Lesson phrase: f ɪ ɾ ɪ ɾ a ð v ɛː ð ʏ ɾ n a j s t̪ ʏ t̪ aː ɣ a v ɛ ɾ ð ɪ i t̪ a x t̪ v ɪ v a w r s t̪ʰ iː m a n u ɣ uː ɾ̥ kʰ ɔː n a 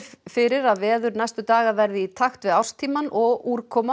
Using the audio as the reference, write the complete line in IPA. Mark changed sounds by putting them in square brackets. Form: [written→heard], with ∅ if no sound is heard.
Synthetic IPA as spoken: f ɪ ɾ ɪ ɾ a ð v ɛː ð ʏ ɾ n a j s t̪ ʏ t̪ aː ɣ a v ɛ ɾ ð ɪ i [t̪→t̪ʰ] a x t̪ v ɪ [v→ð] a w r s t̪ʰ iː m a n [u→ɔ] ɣ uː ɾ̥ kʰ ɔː [n→m] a